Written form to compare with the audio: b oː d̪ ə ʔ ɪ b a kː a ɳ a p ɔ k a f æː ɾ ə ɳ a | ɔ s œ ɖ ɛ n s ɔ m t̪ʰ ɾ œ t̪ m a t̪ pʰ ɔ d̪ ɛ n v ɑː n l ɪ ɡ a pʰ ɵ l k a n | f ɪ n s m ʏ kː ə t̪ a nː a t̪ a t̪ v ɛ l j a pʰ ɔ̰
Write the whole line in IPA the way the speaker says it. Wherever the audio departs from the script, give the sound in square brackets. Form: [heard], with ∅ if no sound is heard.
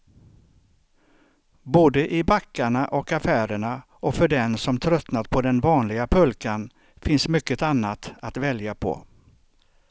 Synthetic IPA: b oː d̪ ə ʔ ɪ b a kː a ɳ a [ʔ] ɔ k a f æː ɾ ə ɳ a | ɔ [f] œ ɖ ɛ n s ɔ m t̪ʰ ɾ œ t̪ [n] a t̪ pʰ ɔ d̪ ɛ n v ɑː n l ɪ ɡ a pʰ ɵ l k a n | f ɪ n s m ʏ kː ə t̪ a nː a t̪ a t̪ v ɛ l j a pʰ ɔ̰